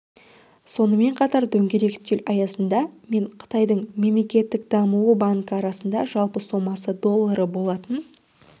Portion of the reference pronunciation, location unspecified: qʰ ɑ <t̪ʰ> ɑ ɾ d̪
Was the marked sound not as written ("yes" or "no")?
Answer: yes